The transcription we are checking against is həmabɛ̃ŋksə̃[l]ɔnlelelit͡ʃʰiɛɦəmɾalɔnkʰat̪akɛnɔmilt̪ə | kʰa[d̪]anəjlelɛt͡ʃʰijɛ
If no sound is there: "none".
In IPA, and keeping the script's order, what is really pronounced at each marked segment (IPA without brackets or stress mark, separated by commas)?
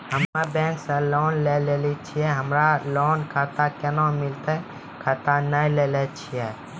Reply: l, t̪